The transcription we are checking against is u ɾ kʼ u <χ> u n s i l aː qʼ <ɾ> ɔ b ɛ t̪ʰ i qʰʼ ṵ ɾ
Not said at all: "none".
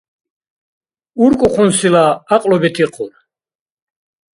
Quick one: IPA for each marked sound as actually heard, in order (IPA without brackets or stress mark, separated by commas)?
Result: χ, l